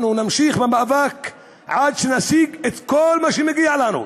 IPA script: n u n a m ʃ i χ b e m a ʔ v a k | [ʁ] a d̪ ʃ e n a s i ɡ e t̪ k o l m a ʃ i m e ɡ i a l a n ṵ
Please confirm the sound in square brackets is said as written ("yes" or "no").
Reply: no